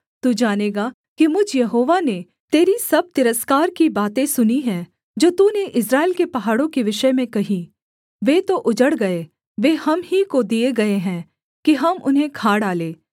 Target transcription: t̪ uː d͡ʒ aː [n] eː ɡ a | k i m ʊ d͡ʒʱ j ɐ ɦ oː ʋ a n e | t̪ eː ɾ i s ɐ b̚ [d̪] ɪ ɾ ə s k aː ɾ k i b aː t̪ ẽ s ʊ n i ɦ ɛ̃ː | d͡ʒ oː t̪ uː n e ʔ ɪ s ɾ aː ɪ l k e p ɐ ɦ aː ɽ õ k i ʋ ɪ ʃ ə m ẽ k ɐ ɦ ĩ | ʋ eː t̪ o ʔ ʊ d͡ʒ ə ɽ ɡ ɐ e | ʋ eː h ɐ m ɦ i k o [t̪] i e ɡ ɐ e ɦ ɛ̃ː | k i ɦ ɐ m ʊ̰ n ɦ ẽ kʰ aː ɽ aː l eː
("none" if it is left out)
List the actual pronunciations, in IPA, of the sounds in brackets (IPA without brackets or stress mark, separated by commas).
n, t̪, d̪